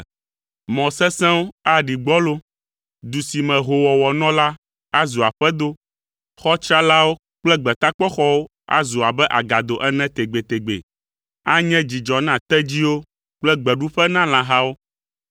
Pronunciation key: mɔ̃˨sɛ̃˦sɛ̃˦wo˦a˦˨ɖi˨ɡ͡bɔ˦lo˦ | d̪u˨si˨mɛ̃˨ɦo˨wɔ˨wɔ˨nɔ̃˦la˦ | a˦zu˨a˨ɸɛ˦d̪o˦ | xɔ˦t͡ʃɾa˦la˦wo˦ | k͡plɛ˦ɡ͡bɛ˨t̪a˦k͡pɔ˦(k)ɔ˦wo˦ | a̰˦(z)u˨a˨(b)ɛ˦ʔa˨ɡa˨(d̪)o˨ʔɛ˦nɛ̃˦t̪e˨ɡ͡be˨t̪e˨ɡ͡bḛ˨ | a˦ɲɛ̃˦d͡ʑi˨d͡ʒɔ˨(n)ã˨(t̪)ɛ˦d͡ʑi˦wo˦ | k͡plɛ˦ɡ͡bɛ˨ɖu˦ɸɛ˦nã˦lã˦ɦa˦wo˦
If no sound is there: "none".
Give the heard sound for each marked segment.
x, z, b, d̪, n, t̪

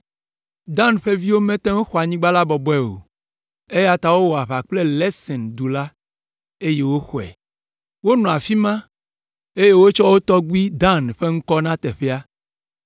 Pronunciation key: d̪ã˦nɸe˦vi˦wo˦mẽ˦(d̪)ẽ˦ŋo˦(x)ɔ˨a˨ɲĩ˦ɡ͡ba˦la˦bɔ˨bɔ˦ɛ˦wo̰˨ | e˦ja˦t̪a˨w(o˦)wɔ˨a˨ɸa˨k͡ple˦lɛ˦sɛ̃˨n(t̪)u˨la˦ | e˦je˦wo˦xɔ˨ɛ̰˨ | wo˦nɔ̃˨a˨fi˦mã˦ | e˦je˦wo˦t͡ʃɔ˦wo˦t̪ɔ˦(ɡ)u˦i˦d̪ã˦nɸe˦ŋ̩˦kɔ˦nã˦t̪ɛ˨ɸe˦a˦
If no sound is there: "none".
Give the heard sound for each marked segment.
t̪, x, o˦, d̪, ɡ

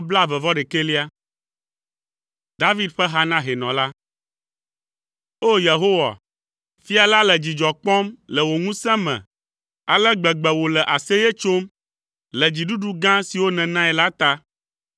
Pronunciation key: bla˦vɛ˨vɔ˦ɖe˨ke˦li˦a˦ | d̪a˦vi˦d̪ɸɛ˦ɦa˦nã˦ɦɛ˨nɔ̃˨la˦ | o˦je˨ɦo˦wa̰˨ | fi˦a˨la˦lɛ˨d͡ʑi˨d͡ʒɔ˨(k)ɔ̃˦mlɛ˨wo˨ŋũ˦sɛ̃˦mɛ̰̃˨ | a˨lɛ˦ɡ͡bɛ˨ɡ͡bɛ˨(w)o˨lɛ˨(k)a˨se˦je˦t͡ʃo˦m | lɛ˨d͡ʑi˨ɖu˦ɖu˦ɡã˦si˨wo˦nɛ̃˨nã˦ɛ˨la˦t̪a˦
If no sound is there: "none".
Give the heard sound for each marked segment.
k͡p, w, ʔ

